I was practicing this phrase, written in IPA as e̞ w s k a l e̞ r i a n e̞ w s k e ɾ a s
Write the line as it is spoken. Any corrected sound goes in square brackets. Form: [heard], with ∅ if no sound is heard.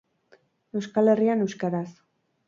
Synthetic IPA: e̞ w s k a l e̞ r i a n e̞ w s k [a] ɾ a s